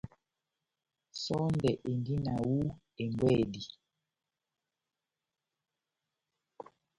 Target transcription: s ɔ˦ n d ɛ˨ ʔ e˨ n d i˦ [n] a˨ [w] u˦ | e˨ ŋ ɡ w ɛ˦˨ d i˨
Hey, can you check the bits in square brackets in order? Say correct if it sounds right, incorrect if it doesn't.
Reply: correct, correct

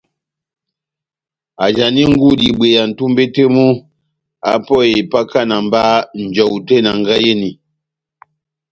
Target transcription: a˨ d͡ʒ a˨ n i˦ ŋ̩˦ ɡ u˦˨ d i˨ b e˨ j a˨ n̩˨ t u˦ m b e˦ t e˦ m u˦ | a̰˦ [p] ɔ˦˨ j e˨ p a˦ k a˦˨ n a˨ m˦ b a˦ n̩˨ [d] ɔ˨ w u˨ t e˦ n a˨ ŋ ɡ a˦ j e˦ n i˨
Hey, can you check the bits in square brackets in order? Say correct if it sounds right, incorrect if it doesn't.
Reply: correct, incorrect: d͡ʒ

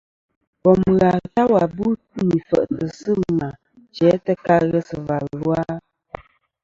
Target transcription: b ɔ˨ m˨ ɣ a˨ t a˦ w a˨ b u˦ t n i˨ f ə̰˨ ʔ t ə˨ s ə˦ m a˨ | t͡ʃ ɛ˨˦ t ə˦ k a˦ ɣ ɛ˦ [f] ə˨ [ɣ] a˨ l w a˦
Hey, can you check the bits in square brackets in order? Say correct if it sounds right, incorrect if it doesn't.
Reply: incorrect: s, incorrect: v

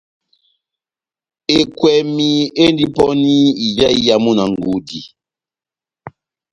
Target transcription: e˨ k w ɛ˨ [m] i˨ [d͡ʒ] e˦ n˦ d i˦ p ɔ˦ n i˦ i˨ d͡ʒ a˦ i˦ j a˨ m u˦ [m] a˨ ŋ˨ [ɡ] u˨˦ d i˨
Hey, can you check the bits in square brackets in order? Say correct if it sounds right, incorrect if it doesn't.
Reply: correct, incorrect: none, incorrect: n, correct

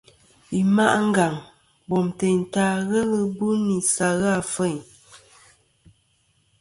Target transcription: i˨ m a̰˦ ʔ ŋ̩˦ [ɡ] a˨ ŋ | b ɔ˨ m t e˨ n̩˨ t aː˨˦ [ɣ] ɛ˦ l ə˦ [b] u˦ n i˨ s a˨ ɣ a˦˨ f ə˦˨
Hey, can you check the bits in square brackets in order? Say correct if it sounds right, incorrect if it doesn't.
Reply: correct, correct, correct

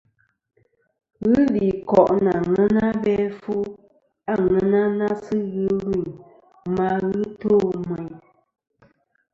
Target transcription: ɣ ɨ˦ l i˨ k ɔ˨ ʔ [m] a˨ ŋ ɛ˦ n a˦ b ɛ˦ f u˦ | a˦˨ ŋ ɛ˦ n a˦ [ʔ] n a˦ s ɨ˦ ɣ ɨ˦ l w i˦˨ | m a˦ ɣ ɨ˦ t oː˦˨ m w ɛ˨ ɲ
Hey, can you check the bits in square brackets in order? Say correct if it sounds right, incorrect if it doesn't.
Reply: incorrect: n, incorrect: none

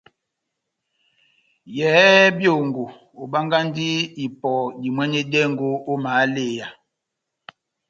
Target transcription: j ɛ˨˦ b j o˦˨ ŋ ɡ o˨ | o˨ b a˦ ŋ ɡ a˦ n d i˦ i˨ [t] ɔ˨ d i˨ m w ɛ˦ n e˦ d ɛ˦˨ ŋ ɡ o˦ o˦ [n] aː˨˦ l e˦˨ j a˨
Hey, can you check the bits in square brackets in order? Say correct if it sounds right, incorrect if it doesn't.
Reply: incorrect: p, incorrect: m

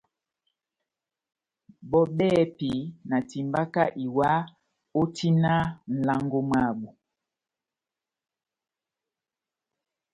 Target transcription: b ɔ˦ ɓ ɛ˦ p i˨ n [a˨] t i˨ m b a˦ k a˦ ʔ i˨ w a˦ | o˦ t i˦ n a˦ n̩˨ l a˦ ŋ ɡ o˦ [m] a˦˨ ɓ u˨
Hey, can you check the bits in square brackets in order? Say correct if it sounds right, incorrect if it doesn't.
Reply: correct, correct

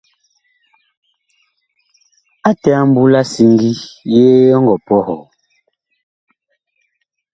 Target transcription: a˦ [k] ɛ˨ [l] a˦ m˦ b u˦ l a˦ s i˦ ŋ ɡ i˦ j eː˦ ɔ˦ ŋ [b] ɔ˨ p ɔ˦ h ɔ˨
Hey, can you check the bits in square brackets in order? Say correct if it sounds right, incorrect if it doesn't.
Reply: incorrect: t, incorrect: none, incorrect: ɡ

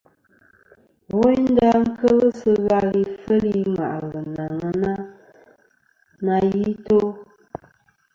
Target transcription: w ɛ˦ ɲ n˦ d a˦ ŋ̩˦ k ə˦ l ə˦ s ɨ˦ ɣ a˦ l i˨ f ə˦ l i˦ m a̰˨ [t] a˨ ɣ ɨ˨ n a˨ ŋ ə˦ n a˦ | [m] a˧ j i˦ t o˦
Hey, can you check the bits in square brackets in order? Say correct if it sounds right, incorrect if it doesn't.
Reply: incorrect: ʔ, incorrect: n

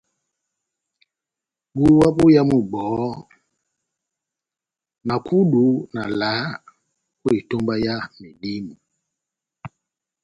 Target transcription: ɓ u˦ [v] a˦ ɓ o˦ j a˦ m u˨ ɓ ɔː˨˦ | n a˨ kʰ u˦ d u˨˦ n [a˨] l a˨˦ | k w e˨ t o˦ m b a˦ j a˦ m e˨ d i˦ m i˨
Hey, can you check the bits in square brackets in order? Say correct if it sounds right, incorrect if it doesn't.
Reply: incorrect: w, correct

